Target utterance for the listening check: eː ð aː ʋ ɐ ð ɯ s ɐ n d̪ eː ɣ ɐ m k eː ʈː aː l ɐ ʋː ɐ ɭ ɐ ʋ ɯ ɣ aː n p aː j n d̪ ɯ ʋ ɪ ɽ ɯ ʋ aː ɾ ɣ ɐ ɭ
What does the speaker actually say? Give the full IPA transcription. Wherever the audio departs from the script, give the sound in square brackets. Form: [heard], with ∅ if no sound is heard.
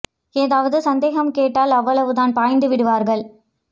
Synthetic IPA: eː ð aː ʋ ɐ ð ɯ s ɐ n d̪ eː ɣ ɐ m k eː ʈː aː l ɐ ʋː ɐ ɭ ɐ ʋ ɯ [ð] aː n p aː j n d̪ ɯ ʋ ɪ ɽ ɯ ʋ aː ɾ ɣ ɐ ɭ